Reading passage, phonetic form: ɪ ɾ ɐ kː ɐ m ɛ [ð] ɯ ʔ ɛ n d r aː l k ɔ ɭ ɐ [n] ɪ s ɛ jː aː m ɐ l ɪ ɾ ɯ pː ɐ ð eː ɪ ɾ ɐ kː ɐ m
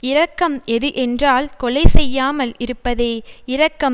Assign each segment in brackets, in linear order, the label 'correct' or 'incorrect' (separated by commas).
correct, incorrect